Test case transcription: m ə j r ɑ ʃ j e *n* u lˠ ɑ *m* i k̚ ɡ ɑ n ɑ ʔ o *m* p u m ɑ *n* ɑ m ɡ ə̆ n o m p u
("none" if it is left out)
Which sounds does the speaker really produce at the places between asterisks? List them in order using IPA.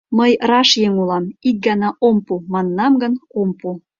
ŋ, m, m, nː

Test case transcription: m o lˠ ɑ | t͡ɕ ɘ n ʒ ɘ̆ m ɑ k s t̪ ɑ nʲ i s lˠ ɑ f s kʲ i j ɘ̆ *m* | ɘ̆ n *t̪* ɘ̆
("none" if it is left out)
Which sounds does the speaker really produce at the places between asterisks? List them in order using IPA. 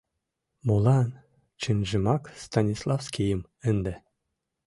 m, d̪

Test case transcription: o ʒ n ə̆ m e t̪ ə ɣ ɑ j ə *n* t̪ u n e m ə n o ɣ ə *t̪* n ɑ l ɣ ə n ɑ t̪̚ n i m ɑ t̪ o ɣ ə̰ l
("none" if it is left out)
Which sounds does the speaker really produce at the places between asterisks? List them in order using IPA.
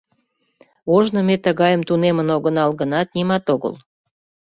m, none

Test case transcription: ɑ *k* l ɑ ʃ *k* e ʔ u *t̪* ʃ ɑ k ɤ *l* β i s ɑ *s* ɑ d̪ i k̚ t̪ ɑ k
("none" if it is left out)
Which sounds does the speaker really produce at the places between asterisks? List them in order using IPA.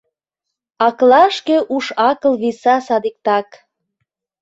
k, k, none, l, s

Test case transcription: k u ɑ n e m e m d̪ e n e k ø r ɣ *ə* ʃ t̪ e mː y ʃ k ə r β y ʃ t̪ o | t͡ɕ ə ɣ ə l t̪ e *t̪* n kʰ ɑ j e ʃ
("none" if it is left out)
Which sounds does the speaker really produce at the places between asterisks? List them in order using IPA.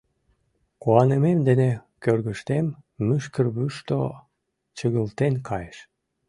ə, none

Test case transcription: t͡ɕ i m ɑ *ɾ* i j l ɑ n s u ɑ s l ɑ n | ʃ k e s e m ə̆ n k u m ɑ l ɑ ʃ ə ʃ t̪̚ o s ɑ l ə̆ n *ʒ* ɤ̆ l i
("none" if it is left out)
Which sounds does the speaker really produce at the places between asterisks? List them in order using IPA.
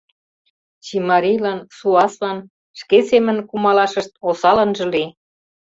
ɾ, ʒ

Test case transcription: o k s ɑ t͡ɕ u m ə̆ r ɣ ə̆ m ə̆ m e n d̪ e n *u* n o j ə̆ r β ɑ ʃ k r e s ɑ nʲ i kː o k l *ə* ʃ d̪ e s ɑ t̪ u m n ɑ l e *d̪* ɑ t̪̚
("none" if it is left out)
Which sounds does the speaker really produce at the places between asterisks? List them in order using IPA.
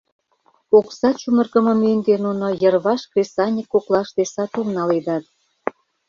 u, ɑ, d̪

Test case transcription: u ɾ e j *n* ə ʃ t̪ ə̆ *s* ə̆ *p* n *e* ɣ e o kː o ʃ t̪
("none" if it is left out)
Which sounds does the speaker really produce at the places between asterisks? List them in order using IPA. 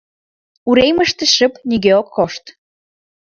m, ʃ, p, i

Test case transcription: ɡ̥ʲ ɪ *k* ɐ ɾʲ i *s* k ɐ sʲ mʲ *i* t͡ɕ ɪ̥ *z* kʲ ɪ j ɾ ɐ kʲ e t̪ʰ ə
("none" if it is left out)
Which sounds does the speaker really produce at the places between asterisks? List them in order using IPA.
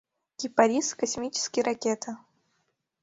p, s, i, s

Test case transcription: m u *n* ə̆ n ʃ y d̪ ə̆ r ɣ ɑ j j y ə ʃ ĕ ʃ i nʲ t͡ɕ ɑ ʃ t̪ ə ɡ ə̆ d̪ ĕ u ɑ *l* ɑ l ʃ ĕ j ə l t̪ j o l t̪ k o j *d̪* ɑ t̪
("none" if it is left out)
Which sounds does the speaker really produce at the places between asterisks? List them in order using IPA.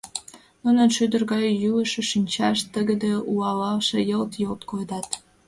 n, l, d̪

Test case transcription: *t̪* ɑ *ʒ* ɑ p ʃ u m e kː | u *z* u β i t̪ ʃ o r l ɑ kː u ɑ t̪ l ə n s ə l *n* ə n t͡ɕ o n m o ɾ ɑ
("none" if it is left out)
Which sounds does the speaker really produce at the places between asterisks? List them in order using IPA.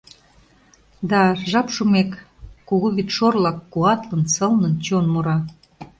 d̪, ʒ, ɣ, n

